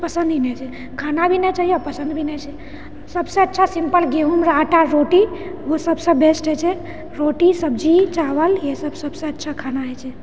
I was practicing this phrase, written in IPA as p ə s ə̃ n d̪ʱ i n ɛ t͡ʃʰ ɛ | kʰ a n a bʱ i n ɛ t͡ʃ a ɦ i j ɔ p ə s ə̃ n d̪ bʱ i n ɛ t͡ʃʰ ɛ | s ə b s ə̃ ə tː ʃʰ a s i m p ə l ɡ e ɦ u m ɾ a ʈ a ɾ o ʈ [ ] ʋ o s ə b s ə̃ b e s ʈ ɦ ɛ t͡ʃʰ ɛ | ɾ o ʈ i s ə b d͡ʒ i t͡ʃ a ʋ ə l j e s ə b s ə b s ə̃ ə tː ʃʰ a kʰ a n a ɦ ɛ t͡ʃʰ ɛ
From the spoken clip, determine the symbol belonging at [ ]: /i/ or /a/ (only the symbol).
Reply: i